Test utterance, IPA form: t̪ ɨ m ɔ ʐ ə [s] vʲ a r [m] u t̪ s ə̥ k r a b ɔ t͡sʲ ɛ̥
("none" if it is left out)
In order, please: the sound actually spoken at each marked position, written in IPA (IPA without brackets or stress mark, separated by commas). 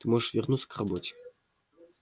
ʂ, n